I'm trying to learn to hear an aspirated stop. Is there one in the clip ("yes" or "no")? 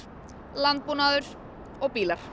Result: no